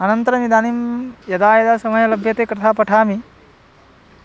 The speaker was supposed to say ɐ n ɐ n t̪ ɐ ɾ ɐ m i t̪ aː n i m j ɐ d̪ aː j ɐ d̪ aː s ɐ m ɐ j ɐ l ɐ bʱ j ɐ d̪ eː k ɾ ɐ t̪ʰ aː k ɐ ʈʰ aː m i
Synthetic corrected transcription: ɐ n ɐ n t̪ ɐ ɾ ɐ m i d̪ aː n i m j ɐ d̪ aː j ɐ d̪ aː s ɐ m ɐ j ɐ l ɐ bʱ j ɐ t̪ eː k ɾ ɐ t̪ʰ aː p ɐ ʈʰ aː m i